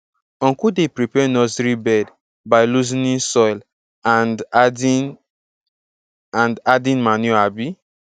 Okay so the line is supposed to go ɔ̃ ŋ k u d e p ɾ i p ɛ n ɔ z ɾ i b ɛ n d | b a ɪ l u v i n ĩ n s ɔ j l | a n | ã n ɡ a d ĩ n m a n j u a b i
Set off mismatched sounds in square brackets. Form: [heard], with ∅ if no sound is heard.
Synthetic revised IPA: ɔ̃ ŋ k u d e p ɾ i p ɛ n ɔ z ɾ i b ɛ [∅] d | b a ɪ l u [z] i n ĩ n s ɔ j l | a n | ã n [d] a d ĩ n m a n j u a b i